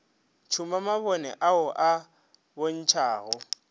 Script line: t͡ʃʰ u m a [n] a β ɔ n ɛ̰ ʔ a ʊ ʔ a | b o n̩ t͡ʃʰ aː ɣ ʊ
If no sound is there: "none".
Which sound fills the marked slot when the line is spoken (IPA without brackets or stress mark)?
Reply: m